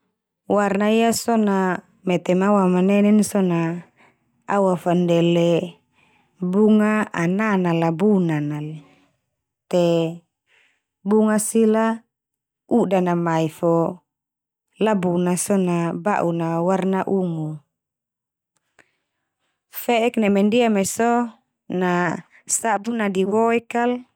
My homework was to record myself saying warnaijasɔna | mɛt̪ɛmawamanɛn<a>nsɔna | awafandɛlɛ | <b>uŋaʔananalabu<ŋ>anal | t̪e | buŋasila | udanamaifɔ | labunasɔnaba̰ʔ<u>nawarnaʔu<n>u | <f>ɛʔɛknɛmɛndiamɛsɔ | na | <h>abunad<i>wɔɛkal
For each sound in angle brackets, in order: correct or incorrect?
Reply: incorrect: ɛ, correct, incorrect: n, correct, incorrect: ŋ, correct, incorrect: s, correct

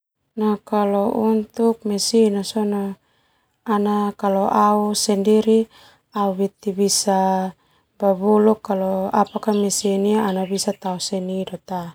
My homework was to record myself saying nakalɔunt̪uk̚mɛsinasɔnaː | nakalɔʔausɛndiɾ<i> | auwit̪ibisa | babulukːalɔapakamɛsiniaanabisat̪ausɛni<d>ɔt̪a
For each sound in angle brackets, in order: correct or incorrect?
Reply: correct, correct

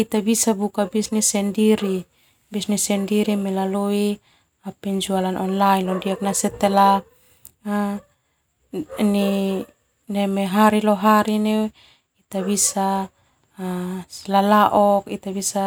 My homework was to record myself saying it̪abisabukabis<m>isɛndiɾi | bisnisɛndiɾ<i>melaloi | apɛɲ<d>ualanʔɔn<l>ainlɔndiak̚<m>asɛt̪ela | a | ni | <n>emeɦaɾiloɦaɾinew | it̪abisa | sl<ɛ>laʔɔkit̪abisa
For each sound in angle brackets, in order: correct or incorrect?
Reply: incorrect: n, correct, incorrect: d͡ʒ, correct, incorrect: n, correct, incorrect: a

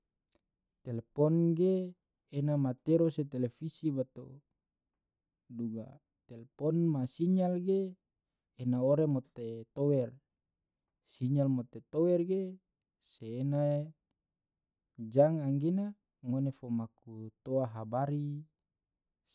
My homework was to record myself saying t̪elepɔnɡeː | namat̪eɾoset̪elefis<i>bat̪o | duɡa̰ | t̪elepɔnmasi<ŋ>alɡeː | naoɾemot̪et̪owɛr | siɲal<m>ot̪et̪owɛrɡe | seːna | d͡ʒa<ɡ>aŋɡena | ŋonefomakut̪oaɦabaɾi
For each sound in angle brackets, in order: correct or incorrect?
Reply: correct, incorrect: ɲ, correct, incorrect: ŋ

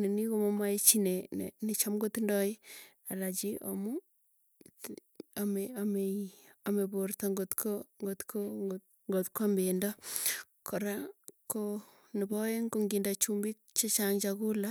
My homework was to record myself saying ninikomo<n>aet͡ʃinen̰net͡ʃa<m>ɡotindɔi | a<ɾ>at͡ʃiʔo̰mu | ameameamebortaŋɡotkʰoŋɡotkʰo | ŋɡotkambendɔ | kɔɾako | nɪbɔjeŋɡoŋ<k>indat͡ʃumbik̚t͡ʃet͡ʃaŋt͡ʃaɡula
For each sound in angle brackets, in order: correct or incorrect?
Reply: incorrect: m, correct, incorrect: l, incorrect: ɡ

